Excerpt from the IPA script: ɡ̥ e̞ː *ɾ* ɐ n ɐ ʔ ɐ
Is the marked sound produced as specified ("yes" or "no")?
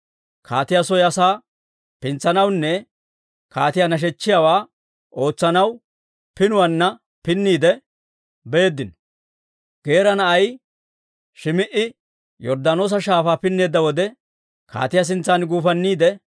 yes